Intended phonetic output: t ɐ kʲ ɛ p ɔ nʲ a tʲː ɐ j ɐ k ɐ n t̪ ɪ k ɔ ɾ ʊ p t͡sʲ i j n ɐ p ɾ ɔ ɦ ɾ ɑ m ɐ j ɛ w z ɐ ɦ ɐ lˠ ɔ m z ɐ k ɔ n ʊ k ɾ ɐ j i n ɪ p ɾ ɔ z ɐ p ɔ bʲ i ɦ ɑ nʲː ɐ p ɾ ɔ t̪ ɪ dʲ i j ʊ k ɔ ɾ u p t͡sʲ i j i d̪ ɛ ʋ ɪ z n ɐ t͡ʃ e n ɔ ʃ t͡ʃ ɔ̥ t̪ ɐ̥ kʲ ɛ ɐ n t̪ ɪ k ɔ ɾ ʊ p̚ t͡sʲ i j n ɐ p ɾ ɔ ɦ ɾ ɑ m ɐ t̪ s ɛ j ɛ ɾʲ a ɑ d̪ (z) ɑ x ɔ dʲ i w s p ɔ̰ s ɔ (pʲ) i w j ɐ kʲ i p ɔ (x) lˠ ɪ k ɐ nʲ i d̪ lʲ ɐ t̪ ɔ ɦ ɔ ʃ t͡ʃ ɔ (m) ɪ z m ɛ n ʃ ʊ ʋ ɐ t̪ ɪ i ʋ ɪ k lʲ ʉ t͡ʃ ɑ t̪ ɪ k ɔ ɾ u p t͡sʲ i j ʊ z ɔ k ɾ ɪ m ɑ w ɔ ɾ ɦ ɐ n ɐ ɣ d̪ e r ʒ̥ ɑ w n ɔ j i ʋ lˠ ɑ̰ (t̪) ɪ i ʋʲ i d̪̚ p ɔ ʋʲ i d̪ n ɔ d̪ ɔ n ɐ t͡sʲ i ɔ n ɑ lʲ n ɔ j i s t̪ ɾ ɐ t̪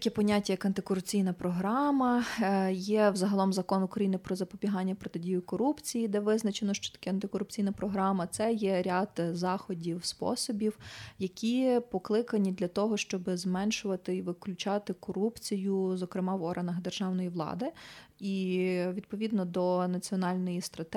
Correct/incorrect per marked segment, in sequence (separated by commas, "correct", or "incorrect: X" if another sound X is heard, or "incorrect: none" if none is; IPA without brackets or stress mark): correct, incorrect: bʲ, incorrect: k, incorrect: b, incorrect: d̪